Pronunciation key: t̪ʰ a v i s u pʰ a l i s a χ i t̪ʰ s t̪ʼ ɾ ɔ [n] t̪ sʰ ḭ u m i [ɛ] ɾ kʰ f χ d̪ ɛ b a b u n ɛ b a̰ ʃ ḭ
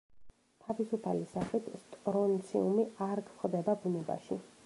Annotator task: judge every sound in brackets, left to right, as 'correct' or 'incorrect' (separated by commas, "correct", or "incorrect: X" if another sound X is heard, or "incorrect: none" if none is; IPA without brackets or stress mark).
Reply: correct, incorrect: a